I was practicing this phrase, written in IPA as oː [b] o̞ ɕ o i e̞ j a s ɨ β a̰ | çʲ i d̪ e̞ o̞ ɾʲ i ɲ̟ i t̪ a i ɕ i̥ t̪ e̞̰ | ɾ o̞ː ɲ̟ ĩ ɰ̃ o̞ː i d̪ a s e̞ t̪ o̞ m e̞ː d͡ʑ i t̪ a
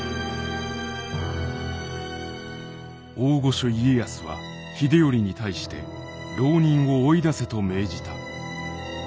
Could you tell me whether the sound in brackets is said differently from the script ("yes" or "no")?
yes